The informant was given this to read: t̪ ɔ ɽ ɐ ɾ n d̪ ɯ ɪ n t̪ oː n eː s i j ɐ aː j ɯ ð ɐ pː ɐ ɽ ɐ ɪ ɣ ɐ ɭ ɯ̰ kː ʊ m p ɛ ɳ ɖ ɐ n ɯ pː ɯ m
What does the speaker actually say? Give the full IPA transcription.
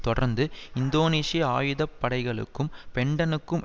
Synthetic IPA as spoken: t̪ ɔ ɽ ɐ ɾ n d̪ ɯ ɪ n d̪ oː n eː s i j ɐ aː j ɯ ð ɐ pː ɐ ɽ ɐ ɪ ɣ ɐ ɭ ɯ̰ kː ɯ m p ɛ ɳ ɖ ɐ n ɯ kː ɯ m